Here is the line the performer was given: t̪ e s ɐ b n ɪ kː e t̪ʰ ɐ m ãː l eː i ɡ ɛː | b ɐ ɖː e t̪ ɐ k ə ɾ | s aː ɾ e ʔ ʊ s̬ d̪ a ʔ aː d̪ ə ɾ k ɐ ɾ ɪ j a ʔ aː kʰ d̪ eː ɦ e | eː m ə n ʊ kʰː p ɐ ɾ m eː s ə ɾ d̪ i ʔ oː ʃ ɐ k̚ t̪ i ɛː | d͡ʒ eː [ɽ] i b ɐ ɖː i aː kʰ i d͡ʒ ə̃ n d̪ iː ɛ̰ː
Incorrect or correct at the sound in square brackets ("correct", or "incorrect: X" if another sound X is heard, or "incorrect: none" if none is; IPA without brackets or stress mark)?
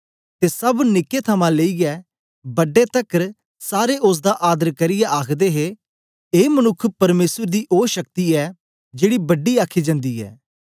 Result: correct